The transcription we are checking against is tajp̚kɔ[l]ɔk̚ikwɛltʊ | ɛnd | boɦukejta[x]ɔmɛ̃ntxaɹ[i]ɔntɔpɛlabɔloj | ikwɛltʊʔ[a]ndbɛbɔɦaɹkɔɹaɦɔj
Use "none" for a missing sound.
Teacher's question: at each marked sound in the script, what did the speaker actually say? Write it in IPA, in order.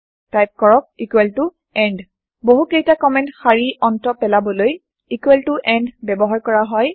ɹ, k, i, ɛ

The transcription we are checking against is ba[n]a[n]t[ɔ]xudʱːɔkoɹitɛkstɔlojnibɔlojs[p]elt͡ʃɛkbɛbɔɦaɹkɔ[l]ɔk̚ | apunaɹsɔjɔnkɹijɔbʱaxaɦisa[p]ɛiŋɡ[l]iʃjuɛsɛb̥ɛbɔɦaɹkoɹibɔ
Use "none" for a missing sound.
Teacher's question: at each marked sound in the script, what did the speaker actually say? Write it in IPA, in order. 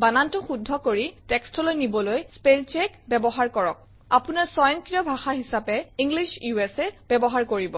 n, n, ɔ, p, ɹ, p, l

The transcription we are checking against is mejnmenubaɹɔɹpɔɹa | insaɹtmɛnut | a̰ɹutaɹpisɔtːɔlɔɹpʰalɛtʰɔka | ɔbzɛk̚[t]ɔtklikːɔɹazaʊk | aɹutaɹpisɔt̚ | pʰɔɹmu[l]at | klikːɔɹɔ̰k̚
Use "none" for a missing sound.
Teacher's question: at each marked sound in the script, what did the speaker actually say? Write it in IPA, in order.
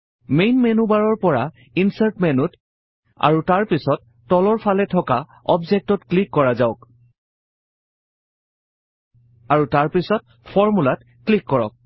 t, l

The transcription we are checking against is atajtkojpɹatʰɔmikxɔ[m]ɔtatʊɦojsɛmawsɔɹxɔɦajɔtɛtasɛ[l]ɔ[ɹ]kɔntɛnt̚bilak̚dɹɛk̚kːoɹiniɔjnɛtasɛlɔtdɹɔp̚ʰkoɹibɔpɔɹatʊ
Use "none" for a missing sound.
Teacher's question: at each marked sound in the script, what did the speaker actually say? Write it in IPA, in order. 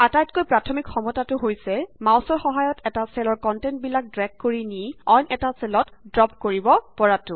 m, l, ɹ

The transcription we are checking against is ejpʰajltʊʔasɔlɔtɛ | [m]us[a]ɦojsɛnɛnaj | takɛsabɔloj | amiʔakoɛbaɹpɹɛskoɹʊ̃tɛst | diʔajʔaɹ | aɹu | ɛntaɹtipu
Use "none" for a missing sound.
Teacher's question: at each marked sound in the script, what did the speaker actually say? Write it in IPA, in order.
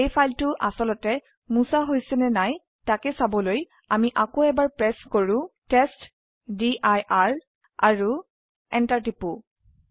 m, a

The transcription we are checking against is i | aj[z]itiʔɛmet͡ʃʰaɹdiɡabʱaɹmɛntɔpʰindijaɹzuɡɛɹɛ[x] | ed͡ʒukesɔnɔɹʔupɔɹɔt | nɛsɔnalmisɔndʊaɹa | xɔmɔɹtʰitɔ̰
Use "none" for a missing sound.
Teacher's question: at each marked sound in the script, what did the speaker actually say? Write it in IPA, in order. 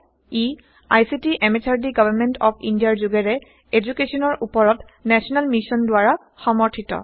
s, none

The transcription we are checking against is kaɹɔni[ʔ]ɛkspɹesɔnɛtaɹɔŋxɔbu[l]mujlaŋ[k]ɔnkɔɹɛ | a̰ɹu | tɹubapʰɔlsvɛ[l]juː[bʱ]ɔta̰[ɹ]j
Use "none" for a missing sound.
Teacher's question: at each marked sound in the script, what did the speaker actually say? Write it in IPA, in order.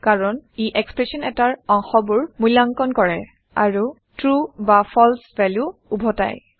ʔ, ɹ, k, l, bʱ, none

